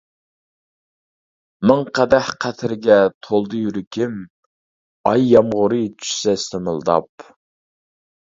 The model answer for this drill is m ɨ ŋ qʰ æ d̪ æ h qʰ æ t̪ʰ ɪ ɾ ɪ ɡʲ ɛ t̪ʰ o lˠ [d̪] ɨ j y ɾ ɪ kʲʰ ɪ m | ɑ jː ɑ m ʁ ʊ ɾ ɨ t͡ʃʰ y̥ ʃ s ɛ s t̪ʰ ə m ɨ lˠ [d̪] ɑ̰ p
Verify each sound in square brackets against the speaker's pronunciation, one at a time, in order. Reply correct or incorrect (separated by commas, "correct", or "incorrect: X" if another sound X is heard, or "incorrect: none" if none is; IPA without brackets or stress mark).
correct, correct